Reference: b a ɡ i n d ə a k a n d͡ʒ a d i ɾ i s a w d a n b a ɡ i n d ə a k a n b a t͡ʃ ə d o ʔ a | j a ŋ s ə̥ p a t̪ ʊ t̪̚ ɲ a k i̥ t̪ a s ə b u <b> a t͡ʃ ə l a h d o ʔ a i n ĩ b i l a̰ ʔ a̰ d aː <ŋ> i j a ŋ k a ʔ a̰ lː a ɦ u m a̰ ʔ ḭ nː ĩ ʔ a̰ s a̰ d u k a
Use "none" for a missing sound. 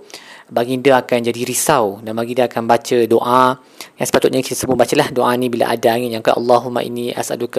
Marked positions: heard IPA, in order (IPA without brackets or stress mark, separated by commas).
b, ŋ